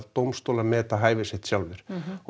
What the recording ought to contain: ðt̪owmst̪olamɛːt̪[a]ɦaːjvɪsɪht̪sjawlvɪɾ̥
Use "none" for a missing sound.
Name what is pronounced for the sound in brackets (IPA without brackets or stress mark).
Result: a